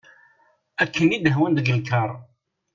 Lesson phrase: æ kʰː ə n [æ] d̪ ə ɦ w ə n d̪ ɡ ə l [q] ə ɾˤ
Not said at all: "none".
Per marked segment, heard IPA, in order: i, k

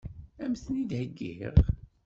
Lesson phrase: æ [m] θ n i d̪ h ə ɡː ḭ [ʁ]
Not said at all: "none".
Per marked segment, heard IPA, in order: m, ʁ

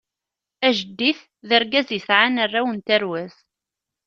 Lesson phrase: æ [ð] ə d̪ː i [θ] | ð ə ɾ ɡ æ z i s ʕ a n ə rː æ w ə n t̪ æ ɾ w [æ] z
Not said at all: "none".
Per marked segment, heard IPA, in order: ʒ, θ, æ

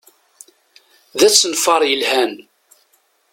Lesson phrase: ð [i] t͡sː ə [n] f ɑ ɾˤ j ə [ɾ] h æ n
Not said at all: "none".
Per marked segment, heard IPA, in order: æ, n, l

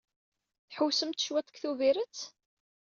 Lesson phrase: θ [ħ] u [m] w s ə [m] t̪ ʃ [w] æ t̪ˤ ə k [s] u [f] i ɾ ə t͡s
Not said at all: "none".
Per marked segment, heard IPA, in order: ħ, none, m, w, θ, v

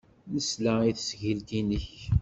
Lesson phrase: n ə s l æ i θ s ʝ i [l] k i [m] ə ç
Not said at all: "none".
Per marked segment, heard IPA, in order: l, n

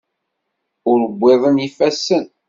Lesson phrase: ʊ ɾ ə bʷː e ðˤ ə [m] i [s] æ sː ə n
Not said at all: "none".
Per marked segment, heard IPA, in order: n, f

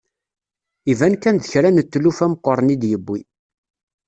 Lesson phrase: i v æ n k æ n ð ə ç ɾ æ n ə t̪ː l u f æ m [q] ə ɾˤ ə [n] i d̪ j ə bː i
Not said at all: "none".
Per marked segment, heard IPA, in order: q, n

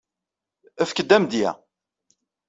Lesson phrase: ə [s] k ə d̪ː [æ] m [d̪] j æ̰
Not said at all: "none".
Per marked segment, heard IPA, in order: f, æ, d̪

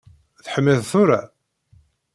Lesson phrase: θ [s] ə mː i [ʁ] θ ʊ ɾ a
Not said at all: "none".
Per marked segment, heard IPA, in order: ħ, ð

